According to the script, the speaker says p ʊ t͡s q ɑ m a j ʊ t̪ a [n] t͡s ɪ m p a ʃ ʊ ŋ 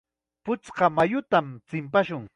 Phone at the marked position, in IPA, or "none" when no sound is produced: m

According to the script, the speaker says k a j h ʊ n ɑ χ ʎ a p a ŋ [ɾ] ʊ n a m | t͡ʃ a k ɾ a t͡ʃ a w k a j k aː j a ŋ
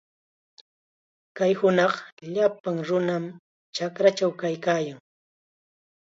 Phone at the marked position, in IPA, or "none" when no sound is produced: ɾ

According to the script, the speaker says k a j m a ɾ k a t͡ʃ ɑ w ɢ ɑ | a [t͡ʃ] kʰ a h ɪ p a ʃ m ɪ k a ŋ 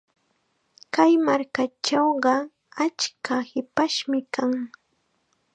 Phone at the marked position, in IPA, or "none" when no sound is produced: t͡ʃ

